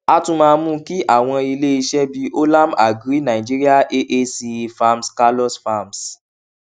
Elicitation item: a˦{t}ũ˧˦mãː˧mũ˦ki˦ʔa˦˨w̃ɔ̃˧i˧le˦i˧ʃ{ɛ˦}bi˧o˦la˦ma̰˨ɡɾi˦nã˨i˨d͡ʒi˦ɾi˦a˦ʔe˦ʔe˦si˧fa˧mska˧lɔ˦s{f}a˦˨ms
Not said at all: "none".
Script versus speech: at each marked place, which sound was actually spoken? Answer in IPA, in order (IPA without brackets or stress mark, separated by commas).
t, ɛ˦, f